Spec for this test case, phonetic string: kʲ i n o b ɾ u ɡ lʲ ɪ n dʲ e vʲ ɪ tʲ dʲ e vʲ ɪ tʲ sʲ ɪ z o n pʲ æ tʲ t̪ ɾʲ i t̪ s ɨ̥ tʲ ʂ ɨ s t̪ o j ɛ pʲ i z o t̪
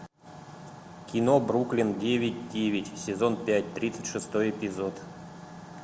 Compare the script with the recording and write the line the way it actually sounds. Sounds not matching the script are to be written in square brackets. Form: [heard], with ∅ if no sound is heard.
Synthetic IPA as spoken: kʲ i n o b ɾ u [k] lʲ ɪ n dʲ e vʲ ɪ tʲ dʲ e vʲ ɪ tʲ sʲ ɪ z o n pʲ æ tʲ t̪ ɾʲ i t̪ s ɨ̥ tʲ ʂ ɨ s t̪ o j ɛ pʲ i z o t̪